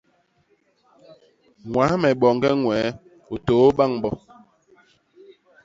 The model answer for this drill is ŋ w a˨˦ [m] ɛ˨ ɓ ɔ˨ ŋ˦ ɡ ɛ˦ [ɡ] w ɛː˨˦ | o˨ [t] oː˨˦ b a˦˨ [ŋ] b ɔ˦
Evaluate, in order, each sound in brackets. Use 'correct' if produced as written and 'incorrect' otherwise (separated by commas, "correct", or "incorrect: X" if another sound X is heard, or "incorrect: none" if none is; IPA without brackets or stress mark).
correct, incorrect: ŋ, correct, correct